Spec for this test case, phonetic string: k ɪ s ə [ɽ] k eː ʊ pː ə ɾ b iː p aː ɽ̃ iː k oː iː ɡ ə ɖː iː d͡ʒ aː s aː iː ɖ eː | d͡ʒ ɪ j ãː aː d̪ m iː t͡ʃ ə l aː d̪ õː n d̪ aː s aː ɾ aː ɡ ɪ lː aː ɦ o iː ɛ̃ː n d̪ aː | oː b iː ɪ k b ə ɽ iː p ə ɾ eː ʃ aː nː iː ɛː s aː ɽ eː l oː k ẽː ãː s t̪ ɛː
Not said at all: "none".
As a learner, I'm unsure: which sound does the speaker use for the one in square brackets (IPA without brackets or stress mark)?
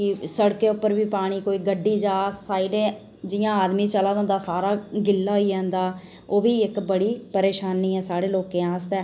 ɽ